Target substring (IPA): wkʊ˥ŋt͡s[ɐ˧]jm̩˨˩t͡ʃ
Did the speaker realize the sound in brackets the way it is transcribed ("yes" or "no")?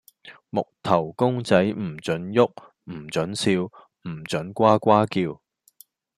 no